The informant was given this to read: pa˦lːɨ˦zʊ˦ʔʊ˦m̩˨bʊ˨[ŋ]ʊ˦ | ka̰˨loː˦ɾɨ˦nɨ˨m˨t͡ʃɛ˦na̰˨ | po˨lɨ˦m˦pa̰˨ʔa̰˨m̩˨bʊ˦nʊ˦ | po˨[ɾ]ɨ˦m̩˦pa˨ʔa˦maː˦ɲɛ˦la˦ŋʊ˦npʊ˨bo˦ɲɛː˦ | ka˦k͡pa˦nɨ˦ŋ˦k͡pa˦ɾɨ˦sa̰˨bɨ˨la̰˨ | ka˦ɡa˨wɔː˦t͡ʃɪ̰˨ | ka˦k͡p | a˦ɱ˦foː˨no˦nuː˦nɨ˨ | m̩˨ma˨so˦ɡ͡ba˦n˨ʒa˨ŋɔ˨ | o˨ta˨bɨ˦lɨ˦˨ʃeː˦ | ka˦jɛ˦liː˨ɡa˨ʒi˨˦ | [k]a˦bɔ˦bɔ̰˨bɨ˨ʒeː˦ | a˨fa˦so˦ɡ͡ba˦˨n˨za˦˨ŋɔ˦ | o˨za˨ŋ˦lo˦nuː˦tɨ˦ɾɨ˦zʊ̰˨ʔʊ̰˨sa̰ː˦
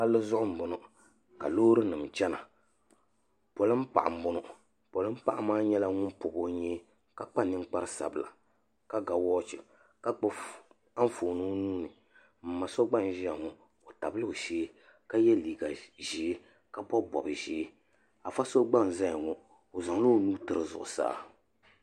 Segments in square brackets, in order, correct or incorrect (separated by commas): incorrect, incorrect, correct